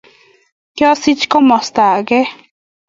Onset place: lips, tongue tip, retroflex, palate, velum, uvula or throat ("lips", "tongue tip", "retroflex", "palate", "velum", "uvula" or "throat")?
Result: velum